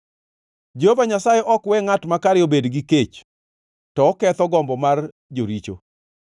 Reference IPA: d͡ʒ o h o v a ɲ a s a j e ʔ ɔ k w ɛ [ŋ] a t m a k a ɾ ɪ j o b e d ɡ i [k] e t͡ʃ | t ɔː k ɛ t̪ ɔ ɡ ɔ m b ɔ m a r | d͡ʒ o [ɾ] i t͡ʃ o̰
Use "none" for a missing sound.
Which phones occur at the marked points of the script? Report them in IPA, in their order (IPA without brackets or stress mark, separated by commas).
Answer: ŋ, k, ɾ